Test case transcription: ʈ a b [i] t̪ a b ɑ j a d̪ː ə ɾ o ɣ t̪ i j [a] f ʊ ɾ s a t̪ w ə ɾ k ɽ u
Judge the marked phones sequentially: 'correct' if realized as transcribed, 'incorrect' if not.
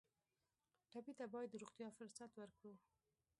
correct, incorrect

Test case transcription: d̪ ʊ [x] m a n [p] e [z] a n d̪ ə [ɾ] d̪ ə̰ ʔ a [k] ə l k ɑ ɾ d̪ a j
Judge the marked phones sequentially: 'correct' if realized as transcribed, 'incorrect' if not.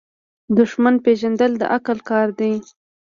incorrect, correct, incorrect, incorrect, correct

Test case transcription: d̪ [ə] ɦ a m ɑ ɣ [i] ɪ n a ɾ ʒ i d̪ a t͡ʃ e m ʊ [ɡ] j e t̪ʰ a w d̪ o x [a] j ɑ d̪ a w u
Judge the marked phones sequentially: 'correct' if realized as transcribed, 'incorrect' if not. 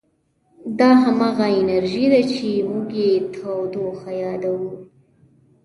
incorrect, incorrect, correct, correct

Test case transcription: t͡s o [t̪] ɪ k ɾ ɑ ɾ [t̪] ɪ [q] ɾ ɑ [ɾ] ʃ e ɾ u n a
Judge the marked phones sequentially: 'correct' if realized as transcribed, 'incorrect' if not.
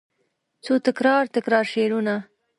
correct, correct, incorrect, correct

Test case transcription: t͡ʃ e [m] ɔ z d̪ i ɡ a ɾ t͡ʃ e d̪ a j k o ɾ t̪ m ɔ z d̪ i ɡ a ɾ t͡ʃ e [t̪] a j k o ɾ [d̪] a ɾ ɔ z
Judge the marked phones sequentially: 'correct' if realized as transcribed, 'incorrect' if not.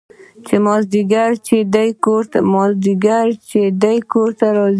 correct, incorrect, incorrect

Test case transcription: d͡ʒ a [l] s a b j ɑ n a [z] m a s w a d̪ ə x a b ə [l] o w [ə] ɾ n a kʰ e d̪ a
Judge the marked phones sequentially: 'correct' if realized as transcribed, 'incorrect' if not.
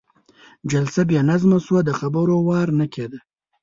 correct, correct, incorrect, incorrect

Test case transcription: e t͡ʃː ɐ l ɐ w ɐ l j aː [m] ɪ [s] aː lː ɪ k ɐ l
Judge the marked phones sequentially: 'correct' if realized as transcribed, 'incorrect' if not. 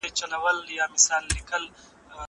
correct, correct

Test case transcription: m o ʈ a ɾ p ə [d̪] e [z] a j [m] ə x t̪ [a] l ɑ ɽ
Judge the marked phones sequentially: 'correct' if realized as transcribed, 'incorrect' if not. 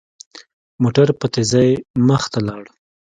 incorrect, correct, correct, correct

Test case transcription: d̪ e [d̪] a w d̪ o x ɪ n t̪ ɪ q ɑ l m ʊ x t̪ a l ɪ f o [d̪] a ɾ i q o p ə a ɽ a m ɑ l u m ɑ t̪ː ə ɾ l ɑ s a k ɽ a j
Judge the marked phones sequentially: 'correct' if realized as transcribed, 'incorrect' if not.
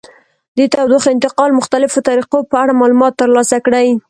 incorrect, incorrect

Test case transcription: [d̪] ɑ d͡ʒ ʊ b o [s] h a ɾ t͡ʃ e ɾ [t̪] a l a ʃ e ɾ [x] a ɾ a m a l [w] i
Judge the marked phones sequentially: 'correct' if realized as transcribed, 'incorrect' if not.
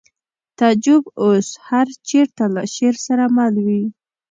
incorrect, correct, correct, incorrect, correct

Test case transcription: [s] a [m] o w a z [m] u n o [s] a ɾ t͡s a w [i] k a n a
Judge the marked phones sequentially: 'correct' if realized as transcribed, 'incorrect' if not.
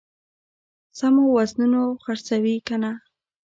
correct, correct, incorrect, incorrect, correct

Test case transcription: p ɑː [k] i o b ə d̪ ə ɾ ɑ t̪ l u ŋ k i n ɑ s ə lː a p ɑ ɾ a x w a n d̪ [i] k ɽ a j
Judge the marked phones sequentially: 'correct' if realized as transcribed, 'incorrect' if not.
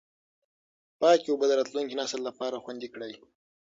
correct, correct

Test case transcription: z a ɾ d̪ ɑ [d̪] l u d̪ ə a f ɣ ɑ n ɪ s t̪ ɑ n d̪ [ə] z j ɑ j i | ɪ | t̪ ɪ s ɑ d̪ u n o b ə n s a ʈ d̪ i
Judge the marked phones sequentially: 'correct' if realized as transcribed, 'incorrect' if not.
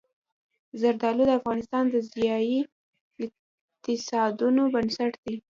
incorrect, correct

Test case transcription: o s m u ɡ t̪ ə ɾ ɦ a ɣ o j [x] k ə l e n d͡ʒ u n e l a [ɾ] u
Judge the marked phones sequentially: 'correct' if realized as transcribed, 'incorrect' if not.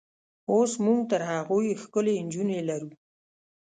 correct, correct

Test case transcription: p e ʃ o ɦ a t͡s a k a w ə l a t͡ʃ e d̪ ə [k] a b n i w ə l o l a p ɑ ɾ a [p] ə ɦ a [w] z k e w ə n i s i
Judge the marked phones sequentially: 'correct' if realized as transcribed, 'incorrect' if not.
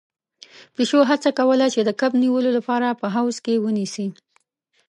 correct, correct, correct

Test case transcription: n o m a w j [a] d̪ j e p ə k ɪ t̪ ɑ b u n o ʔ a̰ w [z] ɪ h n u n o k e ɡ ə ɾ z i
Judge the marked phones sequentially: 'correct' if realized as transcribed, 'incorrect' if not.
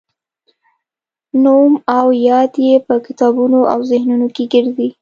incorrect, correct

